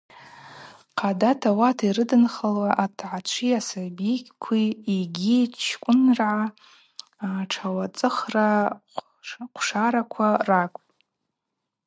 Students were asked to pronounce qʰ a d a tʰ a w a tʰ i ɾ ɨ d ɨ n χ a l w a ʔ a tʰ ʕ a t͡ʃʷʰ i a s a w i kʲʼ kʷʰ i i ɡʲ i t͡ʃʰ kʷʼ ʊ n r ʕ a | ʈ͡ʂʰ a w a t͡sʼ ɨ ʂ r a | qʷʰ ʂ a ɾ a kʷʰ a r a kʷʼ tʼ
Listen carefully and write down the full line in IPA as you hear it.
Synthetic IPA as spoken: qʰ a d a tʰ a w a tʰ i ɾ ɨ d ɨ n χ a l w a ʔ a tʰ ʕ a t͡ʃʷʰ i a s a b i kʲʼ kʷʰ i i ɡʲ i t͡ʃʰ kʷʼ ʊ n r ʕ a | ʈ͡ʂʰ a w a t͡sʼ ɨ χ r a | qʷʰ ʂ a ɾ a kʷʰ a r a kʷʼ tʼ